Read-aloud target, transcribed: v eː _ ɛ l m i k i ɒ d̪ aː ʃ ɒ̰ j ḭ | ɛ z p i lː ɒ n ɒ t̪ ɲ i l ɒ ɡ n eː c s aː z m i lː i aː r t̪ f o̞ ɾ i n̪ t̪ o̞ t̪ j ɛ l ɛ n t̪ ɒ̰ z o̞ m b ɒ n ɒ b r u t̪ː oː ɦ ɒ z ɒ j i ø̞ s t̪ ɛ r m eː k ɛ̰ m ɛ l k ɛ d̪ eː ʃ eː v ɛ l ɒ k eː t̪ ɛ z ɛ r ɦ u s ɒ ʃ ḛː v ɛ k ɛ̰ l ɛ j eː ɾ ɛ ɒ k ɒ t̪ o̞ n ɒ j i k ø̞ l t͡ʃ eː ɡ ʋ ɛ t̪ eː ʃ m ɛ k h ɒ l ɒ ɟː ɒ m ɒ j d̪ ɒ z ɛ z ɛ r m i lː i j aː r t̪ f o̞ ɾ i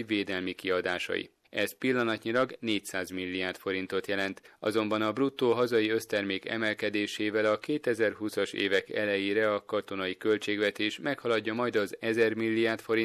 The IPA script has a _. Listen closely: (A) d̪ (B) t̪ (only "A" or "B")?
A